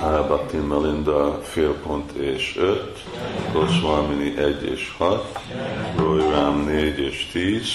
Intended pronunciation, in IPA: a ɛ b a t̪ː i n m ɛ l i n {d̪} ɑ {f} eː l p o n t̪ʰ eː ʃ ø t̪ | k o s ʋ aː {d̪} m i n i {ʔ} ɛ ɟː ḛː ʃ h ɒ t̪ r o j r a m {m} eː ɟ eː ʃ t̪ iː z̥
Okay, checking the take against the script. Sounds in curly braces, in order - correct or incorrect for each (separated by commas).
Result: correct, correct, incorrect, correct, incorrect